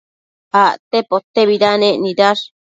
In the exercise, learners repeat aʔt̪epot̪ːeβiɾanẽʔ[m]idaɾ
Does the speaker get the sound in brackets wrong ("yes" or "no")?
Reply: yes